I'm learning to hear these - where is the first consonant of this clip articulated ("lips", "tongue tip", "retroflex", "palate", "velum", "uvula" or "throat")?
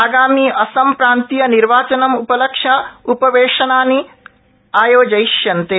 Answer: velum